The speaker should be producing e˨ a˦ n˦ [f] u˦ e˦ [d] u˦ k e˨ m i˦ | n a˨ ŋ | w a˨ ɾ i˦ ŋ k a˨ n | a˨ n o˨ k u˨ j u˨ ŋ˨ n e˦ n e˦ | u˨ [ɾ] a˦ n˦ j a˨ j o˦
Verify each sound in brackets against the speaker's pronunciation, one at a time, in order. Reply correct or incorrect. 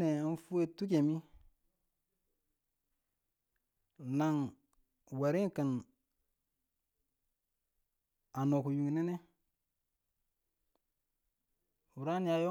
correct, incorrect: t, correct

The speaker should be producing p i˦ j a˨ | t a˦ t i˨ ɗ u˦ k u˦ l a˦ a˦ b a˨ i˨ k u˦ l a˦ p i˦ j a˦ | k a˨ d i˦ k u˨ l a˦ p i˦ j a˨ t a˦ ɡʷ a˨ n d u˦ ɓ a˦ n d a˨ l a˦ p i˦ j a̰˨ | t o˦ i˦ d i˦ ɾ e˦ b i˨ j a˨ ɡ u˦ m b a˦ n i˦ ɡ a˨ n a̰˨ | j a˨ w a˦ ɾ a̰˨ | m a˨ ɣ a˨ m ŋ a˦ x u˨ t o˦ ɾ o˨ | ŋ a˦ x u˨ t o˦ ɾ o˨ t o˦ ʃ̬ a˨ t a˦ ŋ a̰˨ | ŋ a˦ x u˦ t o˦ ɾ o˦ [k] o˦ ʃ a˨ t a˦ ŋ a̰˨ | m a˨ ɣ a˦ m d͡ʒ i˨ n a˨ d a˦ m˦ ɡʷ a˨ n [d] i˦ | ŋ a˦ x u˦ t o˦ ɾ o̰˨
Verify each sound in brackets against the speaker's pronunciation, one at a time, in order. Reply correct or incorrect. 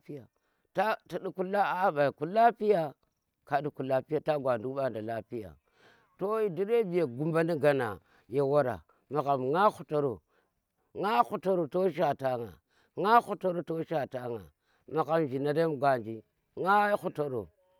incorrect: t, incorrect: d͡ʒ

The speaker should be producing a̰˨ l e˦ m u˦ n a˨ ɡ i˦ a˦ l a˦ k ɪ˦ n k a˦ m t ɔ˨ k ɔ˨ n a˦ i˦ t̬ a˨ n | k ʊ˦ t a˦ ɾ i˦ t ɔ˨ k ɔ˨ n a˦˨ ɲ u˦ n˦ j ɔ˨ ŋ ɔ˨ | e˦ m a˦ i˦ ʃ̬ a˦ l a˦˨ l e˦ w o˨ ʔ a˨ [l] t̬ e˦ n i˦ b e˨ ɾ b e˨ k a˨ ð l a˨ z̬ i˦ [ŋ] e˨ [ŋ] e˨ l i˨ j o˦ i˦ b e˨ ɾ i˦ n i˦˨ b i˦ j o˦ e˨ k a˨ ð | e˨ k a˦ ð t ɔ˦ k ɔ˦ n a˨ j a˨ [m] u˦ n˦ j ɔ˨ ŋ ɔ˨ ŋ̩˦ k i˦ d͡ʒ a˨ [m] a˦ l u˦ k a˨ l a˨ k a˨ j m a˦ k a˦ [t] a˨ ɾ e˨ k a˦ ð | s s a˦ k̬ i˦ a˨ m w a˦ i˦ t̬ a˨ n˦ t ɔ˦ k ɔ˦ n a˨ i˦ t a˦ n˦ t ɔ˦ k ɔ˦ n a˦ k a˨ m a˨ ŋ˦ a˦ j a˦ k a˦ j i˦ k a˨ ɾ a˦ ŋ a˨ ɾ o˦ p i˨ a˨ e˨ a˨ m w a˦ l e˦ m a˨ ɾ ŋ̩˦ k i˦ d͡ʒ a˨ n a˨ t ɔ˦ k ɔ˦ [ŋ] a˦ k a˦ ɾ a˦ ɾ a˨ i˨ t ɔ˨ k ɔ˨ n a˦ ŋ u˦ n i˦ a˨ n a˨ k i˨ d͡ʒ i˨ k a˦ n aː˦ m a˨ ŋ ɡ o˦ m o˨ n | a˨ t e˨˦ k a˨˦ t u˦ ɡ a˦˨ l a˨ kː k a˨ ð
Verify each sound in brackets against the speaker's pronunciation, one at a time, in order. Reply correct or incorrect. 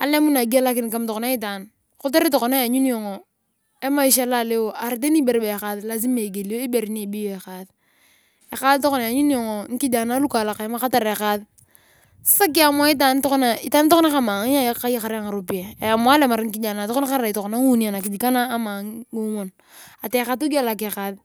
incorrect: ɾ, incorrect: m, incorrect: ɡ, incorrect: ɲ, incorrect: n, correct, incorrect: n

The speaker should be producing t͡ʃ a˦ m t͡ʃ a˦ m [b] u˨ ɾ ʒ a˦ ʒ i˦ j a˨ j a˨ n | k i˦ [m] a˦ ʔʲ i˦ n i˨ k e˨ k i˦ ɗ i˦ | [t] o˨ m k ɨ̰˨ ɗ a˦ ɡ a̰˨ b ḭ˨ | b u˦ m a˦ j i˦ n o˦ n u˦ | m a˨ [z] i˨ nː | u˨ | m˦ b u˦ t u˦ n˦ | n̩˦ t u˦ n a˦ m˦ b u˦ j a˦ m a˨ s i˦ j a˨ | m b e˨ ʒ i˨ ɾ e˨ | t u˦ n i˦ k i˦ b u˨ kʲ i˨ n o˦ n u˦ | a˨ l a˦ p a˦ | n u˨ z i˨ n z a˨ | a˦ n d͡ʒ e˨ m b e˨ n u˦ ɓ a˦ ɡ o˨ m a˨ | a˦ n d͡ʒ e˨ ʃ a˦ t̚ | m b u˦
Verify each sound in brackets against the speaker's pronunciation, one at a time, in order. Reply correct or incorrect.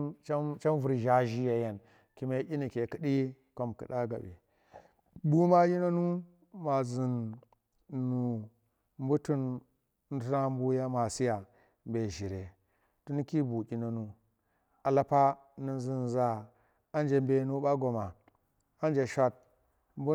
incorrect: v, correct, incorrect: k, correct

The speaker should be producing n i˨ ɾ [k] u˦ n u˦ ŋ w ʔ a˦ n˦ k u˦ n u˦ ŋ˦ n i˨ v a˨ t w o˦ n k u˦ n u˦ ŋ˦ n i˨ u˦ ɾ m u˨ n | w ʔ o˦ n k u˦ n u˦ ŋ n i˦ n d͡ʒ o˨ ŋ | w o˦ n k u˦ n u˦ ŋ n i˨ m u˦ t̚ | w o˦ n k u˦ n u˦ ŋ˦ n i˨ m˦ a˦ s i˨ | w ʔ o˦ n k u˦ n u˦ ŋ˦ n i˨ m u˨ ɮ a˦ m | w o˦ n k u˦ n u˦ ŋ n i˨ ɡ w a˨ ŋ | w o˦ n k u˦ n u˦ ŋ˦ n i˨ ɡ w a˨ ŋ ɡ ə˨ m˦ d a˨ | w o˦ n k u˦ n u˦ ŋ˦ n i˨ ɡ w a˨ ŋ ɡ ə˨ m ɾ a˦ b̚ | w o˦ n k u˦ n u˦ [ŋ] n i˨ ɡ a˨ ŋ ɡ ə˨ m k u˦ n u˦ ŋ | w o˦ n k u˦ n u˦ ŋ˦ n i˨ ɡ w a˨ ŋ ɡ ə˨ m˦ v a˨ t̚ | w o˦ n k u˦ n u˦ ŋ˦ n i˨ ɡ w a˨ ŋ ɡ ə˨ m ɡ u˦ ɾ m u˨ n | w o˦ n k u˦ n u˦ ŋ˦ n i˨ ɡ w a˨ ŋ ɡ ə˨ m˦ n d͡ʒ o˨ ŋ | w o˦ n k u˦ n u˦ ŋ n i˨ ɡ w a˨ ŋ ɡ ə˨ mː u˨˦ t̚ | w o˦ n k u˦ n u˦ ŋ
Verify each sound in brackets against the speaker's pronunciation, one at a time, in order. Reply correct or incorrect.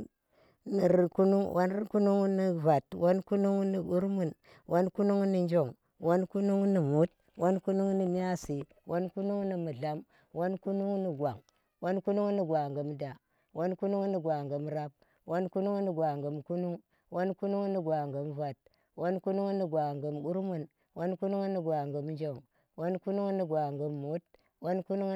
correct, correct

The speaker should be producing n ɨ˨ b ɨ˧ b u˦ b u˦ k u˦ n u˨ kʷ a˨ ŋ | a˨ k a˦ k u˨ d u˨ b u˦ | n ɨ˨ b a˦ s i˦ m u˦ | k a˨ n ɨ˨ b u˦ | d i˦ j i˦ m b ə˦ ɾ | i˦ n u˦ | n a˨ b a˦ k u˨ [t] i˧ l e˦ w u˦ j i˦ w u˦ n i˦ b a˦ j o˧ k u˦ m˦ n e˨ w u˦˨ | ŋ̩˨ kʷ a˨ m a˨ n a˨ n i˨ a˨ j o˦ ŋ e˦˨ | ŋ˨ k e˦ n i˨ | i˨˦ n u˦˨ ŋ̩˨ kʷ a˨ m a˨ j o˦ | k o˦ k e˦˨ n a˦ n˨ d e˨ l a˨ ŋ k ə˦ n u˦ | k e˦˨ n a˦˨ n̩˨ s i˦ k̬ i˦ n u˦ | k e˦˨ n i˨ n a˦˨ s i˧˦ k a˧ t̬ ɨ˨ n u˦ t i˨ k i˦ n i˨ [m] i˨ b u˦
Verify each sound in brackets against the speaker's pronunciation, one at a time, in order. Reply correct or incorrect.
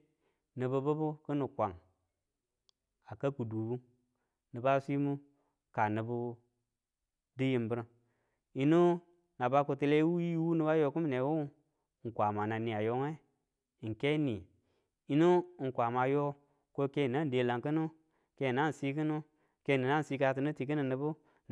correct, incorrect: n

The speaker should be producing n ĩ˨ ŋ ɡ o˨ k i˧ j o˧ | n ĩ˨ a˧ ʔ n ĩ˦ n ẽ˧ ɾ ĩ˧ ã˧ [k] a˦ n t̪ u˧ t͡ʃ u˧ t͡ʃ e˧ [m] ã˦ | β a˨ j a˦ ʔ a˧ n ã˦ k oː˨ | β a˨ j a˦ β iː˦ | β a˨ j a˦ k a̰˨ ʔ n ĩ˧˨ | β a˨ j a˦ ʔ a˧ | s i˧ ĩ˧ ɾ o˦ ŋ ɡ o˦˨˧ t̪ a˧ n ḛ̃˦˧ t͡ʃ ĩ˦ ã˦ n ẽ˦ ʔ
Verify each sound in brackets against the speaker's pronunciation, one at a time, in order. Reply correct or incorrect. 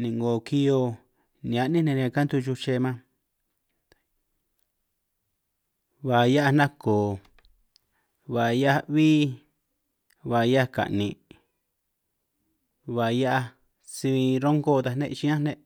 correct, correct

